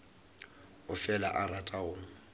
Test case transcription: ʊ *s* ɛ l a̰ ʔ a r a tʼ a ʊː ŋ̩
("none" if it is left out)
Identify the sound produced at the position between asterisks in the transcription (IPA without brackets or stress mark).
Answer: f